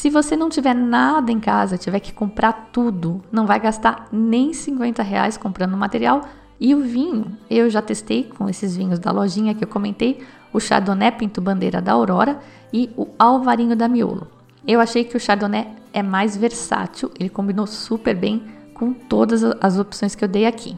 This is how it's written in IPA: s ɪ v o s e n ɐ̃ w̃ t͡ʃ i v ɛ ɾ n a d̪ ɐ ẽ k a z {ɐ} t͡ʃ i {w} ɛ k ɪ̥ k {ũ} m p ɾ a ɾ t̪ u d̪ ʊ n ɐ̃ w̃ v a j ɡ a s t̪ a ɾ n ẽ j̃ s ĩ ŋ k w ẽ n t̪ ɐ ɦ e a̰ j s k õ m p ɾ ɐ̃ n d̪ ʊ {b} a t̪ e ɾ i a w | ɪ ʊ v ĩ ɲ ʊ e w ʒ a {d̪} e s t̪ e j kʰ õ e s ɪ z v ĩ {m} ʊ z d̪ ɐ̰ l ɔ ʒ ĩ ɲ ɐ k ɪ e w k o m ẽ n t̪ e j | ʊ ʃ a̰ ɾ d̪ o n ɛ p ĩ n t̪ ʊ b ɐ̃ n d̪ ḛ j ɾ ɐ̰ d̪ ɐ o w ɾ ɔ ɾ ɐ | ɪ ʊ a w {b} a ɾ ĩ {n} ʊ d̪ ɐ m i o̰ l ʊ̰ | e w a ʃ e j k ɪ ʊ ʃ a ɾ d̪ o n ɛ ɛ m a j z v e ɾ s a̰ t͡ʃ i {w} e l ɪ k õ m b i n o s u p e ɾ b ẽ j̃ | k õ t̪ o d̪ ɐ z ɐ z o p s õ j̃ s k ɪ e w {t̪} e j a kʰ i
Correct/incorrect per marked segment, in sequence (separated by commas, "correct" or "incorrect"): correct, incorrect, incorrect, incorrect, incorrect, incorrect, incorrect, incorrect, correct, incorrect